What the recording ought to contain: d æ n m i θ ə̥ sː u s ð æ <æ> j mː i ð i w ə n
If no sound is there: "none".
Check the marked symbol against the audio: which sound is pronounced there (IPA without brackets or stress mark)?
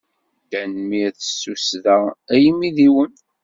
æ